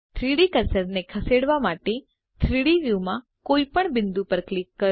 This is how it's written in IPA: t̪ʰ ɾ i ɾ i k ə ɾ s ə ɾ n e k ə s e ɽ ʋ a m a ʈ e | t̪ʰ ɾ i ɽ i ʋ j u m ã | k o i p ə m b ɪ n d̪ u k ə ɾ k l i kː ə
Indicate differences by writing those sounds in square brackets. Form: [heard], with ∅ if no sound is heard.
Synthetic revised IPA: t̪ʰ ɾ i [ɽ] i k ə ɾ s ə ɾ n e [kʰ] ə s e ɽ ʋ a m a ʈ e | t̪ʰ ɾ i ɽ i ʋ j u m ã | k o i p ə [ɳ] b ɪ n d̪ u [p] ə ɾ k l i kː ə